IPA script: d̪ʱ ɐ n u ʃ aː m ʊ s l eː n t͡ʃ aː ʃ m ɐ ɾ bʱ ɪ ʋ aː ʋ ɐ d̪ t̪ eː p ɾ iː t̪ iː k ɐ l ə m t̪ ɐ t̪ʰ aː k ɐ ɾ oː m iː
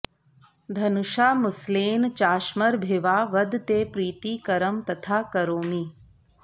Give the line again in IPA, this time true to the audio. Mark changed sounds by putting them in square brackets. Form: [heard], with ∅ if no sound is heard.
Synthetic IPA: d̪ʱ ɐ n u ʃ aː m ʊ s l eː n t͡ʃ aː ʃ m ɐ ɾ bʱ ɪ ʋ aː ʋ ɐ d̪ t̪ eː p ɾ iː t̪ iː k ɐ [ɾ] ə m t̪ ɐ t̪ʰ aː k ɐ ɾ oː m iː